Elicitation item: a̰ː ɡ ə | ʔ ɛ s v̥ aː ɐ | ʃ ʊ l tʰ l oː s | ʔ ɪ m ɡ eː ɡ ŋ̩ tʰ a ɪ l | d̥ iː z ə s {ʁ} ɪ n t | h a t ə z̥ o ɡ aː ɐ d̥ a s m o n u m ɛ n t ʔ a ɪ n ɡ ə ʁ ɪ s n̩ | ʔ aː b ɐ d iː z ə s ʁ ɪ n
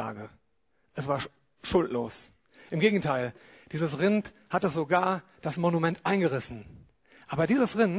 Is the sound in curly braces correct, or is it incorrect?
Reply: correct